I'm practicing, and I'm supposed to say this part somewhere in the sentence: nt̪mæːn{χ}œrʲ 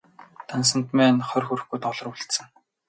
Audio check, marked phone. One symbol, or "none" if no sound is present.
χ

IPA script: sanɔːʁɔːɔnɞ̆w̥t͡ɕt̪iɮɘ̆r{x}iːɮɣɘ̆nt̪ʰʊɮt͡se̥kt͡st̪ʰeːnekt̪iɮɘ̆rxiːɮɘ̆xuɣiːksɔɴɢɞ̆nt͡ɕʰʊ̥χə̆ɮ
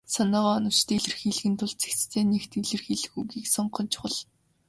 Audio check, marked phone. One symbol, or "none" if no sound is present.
x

